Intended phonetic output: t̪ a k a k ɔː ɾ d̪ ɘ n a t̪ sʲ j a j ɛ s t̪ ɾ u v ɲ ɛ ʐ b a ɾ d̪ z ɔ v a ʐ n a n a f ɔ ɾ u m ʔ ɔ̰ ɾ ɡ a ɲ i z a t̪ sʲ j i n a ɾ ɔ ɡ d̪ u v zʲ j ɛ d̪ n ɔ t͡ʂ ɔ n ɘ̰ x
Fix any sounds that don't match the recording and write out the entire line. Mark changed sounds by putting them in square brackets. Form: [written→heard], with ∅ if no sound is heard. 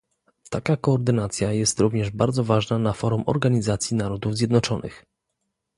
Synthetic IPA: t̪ a k a k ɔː ɾ d̪ ɘ n a t̪ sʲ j a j ɛ s t̪ ɾ u v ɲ ɛ ʐ b a ɾ d̪ z ɔ v a ʐ n a n a f ɔ ɾ u m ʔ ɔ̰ ɾ ɡ a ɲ i z a t̪ sʲ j i n a ɾ ɔ [ɡ→∅] d̪ u v zʲ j ɛ d̪ n ɔ t͡ʂ ɔ n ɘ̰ x